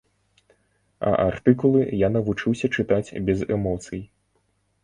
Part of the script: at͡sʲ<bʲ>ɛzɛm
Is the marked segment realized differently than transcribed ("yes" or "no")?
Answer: no